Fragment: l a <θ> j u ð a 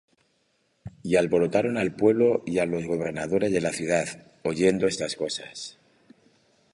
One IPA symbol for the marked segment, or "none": θ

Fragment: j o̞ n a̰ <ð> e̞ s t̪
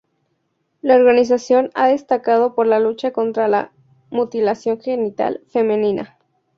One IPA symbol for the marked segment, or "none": ð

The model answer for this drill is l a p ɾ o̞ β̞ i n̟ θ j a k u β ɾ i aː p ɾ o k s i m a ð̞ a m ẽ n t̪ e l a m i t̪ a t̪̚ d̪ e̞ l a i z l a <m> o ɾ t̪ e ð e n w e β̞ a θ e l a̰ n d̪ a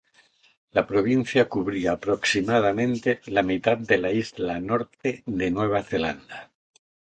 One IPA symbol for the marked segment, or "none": n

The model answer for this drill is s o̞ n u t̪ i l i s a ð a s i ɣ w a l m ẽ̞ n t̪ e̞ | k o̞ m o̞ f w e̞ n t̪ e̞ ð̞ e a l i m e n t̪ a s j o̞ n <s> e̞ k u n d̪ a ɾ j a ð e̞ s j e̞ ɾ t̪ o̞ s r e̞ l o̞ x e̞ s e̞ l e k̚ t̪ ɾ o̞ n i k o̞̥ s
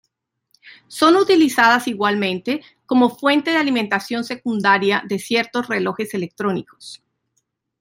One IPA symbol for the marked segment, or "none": s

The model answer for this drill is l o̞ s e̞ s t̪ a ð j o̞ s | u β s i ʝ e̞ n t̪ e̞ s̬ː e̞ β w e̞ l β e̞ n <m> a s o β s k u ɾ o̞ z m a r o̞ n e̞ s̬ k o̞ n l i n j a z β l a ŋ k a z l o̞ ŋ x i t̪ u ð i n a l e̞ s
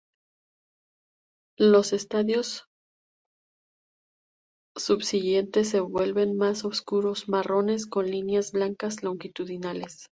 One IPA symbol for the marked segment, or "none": m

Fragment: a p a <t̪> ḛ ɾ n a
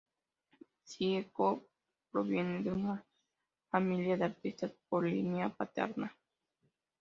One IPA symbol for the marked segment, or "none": t̪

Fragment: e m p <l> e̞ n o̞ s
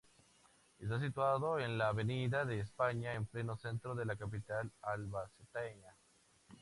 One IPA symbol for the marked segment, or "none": l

